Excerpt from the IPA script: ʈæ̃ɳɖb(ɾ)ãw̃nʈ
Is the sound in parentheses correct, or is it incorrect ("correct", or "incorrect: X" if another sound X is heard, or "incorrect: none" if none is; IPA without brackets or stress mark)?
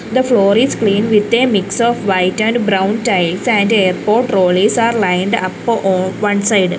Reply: correct